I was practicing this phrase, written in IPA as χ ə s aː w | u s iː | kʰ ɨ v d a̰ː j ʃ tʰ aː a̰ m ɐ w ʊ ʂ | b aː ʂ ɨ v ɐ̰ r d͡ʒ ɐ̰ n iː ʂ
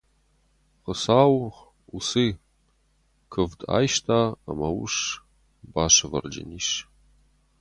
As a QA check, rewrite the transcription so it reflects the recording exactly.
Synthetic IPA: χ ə s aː w | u s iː | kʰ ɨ v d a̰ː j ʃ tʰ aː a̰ m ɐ w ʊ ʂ | b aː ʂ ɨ v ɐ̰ r d͡ʒ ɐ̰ n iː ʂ

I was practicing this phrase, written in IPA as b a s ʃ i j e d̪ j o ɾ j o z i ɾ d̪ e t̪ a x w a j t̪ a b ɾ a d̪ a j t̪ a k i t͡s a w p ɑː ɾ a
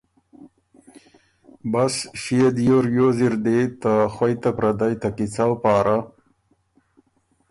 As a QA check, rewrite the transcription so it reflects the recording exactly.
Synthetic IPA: b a s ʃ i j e d̪ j o ɾ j o z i ɾ d̪ e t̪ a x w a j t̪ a p ɾ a d̪ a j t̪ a k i t͡s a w p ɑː ɾ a

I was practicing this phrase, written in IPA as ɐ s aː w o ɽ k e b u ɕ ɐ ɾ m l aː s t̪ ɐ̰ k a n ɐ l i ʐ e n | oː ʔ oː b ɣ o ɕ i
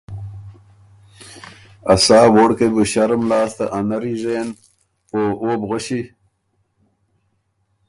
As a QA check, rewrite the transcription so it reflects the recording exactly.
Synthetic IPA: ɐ s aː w o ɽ k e b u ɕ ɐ ɾ m l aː s t̪ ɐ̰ ʔ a n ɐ ɾ i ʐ e n | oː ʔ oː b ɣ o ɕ i

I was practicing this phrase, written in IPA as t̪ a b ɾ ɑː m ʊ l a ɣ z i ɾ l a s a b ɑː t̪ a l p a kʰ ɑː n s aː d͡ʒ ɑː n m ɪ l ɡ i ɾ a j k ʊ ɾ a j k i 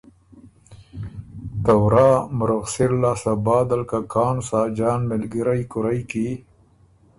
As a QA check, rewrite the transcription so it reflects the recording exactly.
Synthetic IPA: t̪ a w ɾ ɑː m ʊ ɾ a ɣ s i ɾ l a s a b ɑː d̪ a l k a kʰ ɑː n s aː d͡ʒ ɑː n m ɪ l ɡ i ɾ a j k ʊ ɾ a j k i

